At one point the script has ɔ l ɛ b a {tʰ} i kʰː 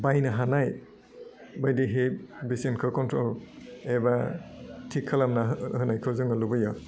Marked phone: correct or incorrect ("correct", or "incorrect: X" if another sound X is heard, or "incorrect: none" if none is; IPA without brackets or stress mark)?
correct